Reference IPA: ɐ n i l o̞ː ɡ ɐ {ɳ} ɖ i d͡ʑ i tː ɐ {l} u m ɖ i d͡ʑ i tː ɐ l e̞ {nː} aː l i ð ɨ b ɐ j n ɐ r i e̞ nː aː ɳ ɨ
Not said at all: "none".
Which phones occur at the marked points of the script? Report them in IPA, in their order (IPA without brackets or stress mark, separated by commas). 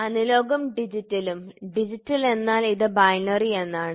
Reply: m, l, nː